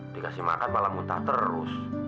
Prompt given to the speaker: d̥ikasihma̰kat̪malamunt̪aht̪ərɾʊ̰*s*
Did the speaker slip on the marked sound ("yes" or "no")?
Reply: no